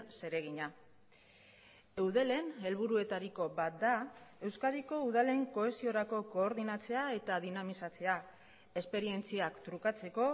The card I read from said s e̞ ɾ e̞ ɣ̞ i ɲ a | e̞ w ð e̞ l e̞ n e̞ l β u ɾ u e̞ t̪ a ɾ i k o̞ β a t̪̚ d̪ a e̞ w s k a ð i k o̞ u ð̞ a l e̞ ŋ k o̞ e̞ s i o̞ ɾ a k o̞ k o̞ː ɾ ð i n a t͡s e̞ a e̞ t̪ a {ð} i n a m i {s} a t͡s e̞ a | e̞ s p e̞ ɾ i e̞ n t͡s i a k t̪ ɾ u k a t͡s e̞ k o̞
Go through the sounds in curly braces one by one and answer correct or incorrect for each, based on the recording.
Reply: correct, correct

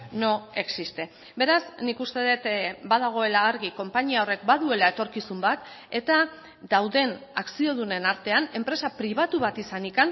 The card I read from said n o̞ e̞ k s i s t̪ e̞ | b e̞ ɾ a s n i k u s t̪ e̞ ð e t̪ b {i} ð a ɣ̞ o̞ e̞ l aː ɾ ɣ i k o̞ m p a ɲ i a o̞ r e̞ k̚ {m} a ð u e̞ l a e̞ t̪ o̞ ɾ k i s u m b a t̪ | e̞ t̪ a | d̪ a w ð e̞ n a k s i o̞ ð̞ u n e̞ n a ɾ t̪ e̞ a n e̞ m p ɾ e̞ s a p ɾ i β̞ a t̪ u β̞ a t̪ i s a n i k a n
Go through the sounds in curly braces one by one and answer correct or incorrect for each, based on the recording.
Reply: incorrect: a, incorrect: b

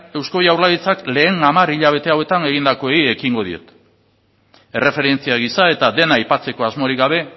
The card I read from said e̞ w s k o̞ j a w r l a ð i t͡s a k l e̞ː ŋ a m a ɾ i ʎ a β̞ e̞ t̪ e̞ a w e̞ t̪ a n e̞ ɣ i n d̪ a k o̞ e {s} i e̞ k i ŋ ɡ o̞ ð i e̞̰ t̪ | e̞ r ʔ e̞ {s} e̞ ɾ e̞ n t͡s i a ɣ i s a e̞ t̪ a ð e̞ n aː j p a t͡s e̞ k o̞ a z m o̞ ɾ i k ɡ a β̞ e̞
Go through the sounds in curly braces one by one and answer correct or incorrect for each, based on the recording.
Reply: incorrect: none, incorrect: f

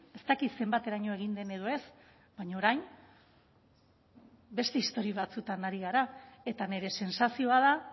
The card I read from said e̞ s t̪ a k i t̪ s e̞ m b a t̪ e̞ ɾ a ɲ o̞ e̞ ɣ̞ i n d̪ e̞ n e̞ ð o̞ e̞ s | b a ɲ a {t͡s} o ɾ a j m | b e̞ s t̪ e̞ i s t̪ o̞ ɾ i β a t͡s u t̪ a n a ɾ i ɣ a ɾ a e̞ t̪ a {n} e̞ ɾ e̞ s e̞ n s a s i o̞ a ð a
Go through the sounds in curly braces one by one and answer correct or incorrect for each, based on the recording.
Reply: incorrect: none, correct

